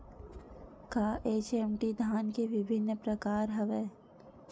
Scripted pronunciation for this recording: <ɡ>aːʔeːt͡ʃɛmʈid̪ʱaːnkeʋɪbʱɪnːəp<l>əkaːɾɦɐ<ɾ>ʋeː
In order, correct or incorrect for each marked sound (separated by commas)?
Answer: incorrect, incorrect, incorrect